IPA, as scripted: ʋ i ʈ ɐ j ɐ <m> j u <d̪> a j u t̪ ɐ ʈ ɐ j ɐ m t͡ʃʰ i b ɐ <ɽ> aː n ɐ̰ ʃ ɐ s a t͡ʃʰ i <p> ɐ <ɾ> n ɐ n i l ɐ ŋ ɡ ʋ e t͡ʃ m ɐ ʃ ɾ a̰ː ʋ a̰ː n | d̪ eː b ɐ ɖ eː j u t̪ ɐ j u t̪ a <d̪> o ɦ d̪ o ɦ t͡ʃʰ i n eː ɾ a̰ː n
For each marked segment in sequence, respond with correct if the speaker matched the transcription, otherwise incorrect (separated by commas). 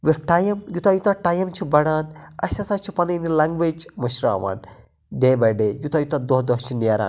correct, incorrect, correct, correct, incorrect, correct